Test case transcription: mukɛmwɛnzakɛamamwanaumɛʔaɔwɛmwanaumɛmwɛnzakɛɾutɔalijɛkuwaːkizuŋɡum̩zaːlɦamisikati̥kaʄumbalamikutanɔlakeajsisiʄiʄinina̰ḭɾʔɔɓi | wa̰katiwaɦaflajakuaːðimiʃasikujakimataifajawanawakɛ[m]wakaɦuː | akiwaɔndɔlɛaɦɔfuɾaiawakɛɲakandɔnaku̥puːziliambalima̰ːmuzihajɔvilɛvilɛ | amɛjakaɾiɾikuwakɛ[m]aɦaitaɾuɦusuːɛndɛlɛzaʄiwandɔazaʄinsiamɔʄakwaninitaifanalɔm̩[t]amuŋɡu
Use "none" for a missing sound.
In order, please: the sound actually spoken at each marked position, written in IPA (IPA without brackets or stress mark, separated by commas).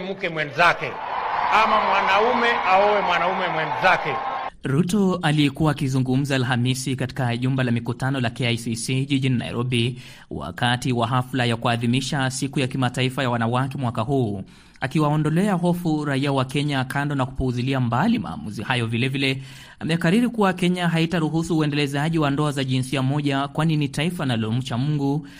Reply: m, ɲ, t͡ʃ